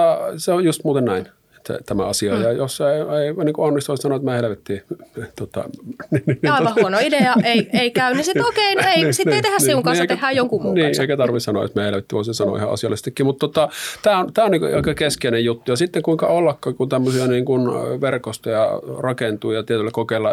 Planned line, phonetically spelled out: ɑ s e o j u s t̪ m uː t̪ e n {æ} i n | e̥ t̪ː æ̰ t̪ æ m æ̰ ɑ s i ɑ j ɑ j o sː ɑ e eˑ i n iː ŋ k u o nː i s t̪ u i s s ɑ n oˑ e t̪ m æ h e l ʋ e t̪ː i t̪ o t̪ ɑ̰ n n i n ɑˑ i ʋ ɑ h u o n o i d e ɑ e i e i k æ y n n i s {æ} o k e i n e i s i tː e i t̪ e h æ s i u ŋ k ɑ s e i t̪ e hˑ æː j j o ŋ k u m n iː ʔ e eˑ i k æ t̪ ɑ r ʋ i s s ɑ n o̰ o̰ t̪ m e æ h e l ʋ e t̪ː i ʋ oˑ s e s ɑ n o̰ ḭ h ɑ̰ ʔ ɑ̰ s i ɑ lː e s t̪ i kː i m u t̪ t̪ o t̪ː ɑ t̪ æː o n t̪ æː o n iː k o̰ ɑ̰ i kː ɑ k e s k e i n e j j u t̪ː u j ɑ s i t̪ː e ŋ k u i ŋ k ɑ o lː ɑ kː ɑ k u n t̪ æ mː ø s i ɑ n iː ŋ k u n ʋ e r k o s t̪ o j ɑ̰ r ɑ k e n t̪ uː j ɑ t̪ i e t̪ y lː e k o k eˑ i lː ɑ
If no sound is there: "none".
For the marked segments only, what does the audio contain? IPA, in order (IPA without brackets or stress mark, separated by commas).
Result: æ, i